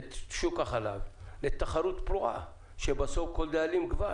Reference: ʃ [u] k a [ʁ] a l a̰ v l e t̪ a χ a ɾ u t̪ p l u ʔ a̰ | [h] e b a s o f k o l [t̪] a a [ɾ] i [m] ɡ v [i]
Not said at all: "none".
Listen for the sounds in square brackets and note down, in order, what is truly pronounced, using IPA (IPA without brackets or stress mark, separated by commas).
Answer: u, χ, ʃ, d̪, l, m, a